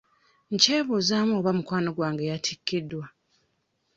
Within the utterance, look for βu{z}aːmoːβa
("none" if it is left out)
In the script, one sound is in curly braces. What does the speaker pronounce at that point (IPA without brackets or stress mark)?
z